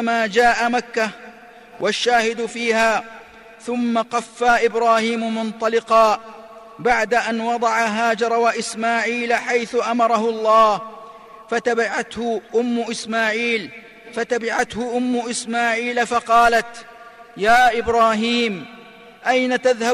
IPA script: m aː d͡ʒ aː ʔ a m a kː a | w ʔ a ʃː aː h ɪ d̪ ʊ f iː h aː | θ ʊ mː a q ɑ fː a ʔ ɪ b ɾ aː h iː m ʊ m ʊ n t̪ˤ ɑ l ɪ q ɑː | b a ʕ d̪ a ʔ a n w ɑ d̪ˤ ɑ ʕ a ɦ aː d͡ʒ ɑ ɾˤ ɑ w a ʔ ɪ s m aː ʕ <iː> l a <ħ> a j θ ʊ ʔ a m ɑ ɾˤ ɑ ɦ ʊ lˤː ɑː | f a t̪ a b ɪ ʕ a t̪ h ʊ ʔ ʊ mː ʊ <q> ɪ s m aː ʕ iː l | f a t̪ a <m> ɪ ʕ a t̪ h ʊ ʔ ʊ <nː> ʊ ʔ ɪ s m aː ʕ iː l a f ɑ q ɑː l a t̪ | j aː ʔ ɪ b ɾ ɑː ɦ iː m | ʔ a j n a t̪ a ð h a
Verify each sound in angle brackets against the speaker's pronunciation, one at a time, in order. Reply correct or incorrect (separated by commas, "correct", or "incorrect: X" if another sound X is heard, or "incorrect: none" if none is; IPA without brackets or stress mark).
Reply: correct, correct, incorrect: ʔ, incorrect: b, incorrect: mː